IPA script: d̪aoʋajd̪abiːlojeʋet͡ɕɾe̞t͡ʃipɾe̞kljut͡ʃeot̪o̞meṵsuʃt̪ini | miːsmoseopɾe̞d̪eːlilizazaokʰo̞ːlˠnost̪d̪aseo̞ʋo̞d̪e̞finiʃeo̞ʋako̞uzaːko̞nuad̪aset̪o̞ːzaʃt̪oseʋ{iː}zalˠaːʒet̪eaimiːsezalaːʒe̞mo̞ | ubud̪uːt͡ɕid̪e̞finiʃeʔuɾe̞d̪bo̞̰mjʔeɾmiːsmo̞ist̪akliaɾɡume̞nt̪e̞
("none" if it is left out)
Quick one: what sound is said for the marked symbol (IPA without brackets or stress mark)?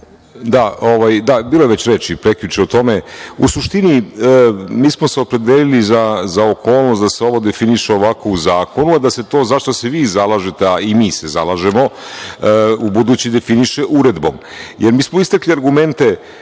iː